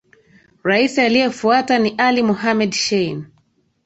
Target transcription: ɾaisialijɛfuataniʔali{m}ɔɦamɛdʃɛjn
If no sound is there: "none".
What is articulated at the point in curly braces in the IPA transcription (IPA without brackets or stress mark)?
m